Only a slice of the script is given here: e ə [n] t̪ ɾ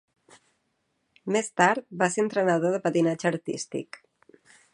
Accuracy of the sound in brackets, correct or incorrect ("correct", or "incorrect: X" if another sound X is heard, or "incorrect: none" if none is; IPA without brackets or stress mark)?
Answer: correct